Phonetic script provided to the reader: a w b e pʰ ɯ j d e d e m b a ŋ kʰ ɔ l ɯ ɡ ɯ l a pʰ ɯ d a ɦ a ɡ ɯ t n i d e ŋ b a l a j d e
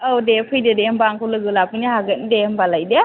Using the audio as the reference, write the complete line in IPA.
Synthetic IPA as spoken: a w d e pʰ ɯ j d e d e m b a ŋ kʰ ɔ l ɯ ɡ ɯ l a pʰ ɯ n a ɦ a ɡ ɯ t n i d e m b a l a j d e